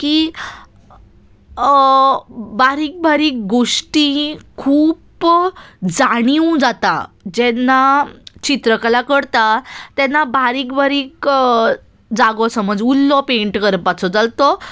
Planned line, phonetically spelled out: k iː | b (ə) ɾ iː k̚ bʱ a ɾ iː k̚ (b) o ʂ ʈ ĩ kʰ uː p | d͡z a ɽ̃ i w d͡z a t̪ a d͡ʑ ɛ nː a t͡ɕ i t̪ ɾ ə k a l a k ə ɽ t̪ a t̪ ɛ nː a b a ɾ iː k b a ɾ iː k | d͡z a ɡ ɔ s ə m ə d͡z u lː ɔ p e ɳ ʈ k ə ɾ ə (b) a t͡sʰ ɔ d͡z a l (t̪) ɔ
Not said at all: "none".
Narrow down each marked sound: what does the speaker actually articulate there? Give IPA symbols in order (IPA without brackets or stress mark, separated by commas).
a, ɡ, p, t̪